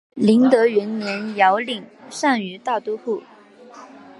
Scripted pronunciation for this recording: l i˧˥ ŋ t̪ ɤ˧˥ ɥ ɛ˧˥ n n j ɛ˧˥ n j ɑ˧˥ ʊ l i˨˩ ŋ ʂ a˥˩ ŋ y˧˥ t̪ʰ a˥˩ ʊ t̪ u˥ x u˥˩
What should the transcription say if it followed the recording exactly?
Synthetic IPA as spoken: l i˧˥ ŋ t̪ ɤ˧˥ ɥ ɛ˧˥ n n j ɛ˧˥ n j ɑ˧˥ ʊ l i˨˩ ŋ ʂ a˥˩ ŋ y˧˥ t̪ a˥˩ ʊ t̪ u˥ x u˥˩